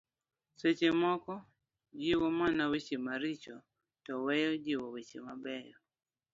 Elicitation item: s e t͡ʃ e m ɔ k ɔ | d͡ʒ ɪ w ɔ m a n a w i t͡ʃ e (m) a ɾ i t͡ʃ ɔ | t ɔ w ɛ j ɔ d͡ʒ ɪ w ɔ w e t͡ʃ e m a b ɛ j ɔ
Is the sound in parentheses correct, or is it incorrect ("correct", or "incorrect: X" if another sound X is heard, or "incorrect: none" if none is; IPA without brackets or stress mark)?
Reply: correct